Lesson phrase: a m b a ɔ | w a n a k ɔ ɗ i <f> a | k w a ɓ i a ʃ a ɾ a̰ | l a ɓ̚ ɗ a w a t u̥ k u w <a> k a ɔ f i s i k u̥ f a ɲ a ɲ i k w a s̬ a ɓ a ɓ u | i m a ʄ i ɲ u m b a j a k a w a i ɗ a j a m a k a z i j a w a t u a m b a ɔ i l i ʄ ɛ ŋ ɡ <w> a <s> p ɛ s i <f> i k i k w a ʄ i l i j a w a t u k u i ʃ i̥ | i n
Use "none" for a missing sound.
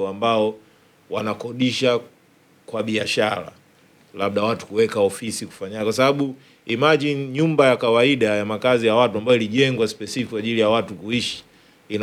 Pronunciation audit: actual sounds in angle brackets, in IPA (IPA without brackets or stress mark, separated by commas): ʃ, ɛ, w, s, f